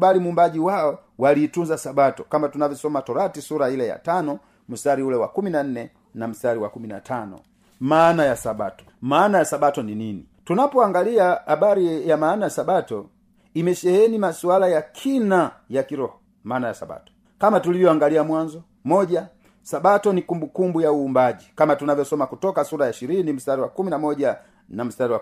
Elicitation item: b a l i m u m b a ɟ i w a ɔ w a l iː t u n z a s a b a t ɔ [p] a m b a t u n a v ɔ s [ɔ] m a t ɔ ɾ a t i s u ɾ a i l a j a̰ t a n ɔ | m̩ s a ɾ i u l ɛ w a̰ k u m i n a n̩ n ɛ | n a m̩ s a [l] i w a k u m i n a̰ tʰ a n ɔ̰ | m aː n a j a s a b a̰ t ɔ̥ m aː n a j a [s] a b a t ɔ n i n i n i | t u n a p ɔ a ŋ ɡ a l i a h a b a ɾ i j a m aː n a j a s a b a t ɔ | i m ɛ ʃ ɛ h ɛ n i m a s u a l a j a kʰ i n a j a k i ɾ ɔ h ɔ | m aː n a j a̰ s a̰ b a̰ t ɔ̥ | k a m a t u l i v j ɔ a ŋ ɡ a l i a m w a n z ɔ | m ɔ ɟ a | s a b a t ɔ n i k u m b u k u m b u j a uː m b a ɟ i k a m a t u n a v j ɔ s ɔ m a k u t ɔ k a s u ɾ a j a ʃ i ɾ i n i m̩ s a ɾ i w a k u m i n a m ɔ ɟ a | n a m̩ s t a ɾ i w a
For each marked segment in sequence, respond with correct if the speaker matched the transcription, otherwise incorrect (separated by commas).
incorrect, correct, incorrect, correct